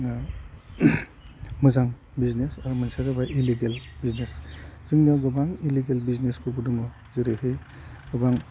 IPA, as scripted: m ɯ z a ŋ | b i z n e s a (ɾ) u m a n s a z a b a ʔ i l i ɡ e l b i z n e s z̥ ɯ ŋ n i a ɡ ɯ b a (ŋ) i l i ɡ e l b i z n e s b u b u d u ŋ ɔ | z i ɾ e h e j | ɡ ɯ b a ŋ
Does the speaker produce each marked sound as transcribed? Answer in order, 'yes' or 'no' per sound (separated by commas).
yes, yes